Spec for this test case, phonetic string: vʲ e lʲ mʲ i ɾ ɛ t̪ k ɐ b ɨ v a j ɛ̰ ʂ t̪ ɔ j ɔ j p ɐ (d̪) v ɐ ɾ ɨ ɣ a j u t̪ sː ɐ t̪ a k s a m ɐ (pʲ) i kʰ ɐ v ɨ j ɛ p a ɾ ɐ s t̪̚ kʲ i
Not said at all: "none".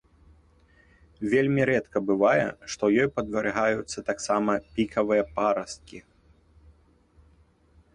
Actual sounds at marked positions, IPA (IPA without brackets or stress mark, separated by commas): d̪, pʲ